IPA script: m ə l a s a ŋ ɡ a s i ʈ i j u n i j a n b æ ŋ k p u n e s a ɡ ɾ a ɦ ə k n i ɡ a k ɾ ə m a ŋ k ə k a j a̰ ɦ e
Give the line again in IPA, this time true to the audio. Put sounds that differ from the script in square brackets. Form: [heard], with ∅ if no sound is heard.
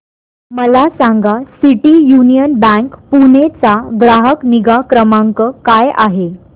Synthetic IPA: m ə l a s a ŋ ɡ a s i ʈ i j u n i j [ə] n b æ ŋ k p u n e [t͡s] a ɡ ɾ a ɦ ə k n i ɡ a k ɾ ə m a ŋ k ə k a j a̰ ɦ e